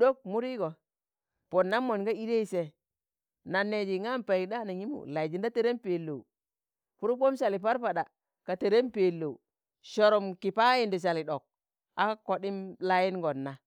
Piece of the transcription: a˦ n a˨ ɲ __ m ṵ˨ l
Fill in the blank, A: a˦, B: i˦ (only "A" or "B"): B